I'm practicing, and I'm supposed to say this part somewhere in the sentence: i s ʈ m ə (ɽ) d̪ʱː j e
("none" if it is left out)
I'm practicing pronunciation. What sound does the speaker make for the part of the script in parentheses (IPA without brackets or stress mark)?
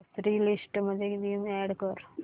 none